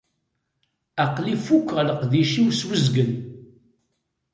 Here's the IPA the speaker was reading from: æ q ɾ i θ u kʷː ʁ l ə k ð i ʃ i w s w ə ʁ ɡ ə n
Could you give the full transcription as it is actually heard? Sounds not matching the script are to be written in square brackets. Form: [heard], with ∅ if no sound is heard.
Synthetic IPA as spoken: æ q [l] i [f] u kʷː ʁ l ə [q] ð i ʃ i w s w ə [z] ɡ ə n